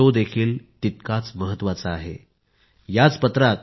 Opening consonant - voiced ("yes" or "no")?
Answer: yes